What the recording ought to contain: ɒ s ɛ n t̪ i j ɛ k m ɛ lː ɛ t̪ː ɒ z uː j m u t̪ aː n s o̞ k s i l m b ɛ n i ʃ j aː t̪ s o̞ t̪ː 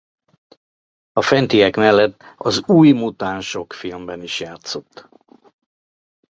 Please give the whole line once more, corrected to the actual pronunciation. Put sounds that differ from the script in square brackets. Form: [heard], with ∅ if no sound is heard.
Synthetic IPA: ɒ [f] ɛ n t̪ i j ɛ k m ɛ lː ɛ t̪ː ɒ z uː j m u t̪ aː n [ʃ] o̞ k [f] i l m b ɛ n i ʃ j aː t̪ s o̞ t̪ː